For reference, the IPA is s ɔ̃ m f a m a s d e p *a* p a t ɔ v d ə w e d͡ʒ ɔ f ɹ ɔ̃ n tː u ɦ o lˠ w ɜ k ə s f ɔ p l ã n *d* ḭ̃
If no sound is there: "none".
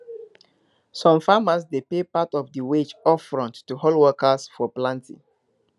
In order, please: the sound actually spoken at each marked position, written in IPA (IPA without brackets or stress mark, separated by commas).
e, t